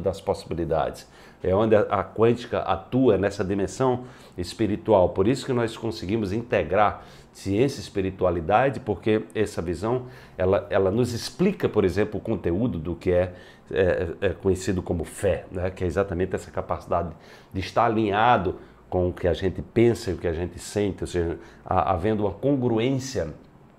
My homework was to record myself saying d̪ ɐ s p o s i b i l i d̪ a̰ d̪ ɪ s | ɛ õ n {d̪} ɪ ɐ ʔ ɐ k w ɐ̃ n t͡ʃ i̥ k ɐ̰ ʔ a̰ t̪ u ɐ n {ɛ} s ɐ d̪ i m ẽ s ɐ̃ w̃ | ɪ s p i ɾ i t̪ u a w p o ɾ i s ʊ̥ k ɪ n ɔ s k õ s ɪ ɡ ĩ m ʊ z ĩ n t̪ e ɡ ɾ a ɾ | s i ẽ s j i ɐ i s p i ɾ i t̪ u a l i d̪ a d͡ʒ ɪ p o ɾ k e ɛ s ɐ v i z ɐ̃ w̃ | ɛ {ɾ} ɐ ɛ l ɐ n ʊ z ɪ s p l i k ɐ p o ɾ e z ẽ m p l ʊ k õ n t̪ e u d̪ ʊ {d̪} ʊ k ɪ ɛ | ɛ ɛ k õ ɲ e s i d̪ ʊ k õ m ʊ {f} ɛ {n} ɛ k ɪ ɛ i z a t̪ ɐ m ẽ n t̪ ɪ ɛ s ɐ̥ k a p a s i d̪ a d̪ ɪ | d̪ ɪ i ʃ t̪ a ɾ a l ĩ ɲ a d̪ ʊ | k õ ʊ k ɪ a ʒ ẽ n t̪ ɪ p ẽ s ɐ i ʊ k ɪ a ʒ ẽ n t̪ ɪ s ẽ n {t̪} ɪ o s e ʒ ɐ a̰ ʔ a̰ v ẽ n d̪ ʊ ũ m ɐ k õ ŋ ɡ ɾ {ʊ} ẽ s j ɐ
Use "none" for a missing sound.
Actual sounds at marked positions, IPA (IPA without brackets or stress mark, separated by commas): d̪, ɛ, l, d̪, f, n, t̪, u